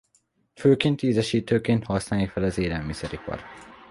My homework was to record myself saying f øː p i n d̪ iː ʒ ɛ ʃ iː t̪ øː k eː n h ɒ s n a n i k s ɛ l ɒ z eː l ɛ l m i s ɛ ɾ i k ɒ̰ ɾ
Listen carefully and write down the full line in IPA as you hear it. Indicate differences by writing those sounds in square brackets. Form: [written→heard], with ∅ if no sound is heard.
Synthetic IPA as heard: f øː [p→k] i n [d̪→t̪] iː [ʒ→z] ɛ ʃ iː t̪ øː k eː n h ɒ s n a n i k [s→f] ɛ l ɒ z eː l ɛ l m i s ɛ ɾ i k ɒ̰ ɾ